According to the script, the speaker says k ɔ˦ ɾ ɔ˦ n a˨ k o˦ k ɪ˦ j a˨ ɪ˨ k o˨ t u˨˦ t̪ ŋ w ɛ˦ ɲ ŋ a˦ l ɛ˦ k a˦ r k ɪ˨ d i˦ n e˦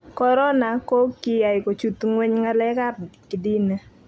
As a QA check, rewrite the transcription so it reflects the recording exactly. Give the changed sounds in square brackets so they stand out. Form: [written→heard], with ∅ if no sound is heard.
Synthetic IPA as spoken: k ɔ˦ ɾ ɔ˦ n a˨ k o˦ k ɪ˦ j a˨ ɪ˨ k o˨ [t→t͡ʃ] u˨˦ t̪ ŋ w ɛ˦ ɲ ŋ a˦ l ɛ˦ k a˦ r k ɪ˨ d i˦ n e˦